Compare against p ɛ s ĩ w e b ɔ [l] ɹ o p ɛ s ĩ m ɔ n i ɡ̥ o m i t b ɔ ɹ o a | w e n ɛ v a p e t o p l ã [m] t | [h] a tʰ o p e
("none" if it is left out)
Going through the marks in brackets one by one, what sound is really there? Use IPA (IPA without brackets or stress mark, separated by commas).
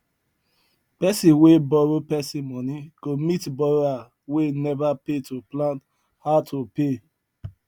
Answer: none, n, h